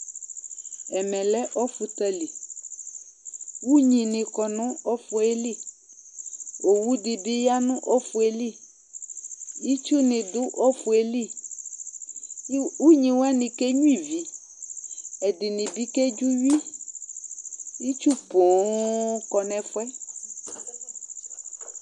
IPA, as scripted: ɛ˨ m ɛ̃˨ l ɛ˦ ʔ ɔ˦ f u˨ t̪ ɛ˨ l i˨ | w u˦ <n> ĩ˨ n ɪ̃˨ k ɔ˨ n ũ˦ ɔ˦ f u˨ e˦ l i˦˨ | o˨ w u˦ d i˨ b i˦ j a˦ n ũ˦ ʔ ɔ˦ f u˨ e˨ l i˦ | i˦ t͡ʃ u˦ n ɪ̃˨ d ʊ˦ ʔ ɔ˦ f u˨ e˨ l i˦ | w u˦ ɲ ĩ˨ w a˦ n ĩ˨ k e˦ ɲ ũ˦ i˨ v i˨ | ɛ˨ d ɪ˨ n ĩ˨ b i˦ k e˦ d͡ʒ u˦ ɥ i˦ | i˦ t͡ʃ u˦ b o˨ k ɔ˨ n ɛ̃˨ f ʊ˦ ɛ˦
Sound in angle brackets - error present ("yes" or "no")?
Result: yes